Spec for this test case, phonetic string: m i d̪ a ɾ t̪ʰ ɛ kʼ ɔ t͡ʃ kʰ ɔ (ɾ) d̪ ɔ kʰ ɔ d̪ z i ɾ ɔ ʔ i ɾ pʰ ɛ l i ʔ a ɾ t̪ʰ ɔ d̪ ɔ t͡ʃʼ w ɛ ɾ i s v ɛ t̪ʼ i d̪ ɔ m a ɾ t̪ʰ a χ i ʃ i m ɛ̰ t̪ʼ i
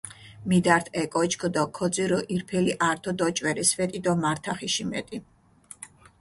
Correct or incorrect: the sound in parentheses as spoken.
incorrect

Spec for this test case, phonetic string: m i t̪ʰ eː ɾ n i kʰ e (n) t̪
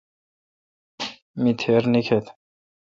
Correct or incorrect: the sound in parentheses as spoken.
incorrect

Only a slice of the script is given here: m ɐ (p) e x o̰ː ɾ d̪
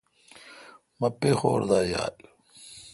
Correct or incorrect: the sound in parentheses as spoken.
correct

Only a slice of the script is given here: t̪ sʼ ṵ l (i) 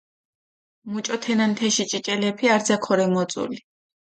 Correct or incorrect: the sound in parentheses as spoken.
correct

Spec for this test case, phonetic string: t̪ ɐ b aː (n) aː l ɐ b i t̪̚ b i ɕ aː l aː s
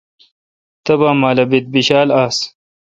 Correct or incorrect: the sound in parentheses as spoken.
incorrect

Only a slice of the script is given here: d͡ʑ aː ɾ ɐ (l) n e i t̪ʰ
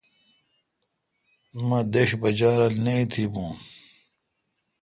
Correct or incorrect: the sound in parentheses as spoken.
correct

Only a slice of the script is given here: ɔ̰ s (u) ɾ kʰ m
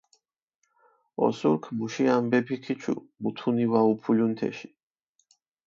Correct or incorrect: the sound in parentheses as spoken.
correct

